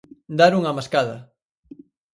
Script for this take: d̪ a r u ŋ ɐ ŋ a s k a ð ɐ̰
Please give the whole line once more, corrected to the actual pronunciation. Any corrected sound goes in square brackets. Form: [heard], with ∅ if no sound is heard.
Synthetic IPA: d̪ a [ɾ] u ŋ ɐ [m] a s k a ð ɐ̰